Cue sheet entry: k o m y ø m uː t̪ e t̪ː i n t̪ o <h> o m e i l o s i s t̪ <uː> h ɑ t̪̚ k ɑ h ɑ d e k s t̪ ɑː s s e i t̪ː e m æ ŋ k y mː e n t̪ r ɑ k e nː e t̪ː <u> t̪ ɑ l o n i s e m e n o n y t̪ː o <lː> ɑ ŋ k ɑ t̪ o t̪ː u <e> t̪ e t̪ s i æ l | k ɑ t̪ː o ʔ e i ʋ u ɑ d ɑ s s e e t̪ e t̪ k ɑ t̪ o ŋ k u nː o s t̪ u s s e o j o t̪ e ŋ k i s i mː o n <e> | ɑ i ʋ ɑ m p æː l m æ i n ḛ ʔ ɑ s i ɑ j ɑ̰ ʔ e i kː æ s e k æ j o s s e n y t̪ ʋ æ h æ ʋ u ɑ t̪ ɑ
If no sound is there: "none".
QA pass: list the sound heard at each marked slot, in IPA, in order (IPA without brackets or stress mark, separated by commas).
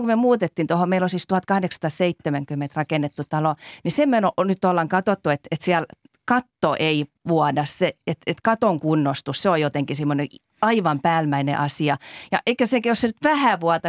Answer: h, u, u, lː, e, e